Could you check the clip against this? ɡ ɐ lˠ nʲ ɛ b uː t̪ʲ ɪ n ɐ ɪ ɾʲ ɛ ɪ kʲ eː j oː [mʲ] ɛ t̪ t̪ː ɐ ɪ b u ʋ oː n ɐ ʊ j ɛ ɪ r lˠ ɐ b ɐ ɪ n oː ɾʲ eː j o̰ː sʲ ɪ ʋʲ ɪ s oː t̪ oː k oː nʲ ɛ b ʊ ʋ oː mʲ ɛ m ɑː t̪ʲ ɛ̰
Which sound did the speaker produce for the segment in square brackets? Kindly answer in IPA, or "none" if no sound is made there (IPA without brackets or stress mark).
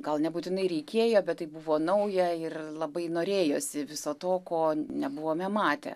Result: bʲ